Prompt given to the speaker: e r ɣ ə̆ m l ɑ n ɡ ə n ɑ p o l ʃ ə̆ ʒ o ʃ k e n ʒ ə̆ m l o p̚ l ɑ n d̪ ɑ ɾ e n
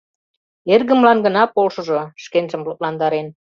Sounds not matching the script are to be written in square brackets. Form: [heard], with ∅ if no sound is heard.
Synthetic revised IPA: e r ɣ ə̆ m l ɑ n ɡ ə n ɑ p o l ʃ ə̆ ʒ o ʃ k e n ʒ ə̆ m l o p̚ l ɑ n d̪ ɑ ɾ e n